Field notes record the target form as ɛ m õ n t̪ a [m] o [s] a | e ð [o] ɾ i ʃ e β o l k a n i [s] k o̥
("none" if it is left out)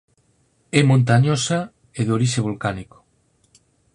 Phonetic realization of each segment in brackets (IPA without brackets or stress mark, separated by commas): ɲ, s, o, none